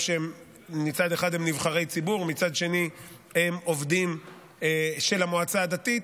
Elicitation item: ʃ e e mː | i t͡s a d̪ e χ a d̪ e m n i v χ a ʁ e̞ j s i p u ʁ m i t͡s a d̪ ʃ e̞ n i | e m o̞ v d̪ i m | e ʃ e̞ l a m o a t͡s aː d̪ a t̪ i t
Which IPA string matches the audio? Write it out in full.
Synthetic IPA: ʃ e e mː | i t͡s a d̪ e χ a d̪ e m n i v χ a ʁ e̞ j t͡s i b u ʁ m i t͡s a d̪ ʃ e̞ n i | e m o̞ v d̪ i m | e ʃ e̞ l a m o a t͡s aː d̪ a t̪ i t